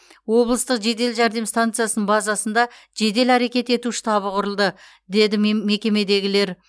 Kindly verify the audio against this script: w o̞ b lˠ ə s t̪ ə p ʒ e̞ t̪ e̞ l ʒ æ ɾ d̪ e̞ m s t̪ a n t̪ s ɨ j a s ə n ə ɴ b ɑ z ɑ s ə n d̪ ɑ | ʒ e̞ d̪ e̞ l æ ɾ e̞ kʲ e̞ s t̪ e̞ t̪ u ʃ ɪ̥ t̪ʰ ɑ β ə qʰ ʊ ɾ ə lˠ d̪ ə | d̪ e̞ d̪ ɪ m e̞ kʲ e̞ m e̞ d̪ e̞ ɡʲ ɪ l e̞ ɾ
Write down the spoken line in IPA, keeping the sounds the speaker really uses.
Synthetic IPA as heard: w o̞ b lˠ ə s t̪ ə q ʒ e̞ d̪ e̞ l ʒ æ ɾ d̪ e̞ m s t̪ a n t̪ s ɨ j a s ə n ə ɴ b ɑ z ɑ s ə n d̪ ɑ | ʒ e̞ d̪ e̞ l æ ɾ e̞ kʲ e̞ t̪ e̞ t̪ u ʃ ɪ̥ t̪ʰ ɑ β ə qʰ ʊ ɾ ə lˠ d̪ ə | d̪ e̞ d̪ ɪ m e̞ kʲ e̞ m e̞ d̪ e̞ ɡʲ ɪ l e̞ ɾ